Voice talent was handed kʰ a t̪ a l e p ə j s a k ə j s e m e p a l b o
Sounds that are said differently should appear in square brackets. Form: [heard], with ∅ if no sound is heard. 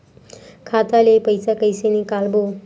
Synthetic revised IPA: kʰ a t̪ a l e p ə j s a k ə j s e [n] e [k] a l b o